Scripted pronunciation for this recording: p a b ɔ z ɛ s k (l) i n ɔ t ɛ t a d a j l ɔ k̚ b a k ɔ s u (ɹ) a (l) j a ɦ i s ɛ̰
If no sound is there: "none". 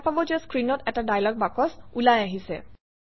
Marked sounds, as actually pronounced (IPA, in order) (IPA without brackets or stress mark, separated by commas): ɹ, l, none